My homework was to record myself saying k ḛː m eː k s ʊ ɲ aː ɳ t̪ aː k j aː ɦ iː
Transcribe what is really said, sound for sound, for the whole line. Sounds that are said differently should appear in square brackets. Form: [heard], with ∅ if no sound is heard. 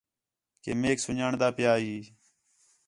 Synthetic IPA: k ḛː m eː k s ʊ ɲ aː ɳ [d̪] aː [p] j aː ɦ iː

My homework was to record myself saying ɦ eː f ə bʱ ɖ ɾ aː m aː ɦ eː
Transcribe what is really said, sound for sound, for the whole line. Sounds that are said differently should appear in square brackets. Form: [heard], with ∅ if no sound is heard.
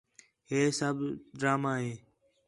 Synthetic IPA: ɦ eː [s] ə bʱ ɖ ɾ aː m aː ɦ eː

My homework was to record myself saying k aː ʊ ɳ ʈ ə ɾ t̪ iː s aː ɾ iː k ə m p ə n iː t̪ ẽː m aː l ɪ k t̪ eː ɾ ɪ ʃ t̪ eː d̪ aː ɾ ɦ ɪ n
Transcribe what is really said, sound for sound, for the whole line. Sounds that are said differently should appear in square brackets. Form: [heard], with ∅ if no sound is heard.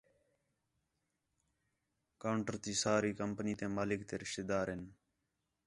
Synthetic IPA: k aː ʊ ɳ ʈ ə ɾ t̪ iː s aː ɾ iː k ə m p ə n iː t̪ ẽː m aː l ɪ k t̪ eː ɾ ɪ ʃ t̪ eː d̪ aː ɾ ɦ ɪ n

